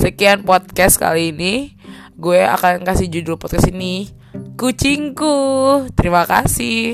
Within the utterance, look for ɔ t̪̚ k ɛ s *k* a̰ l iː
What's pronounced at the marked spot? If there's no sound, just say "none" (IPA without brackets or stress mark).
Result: k